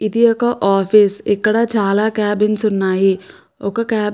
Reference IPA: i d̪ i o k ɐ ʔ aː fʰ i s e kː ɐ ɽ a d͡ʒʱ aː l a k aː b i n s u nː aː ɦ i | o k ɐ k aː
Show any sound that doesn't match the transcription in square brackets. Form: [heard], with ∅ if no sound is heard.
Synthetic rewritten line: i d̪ i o k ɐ ʔ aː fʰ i s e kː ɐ ɽ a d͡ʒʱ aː l a k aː b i n s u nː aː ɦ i | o k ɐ k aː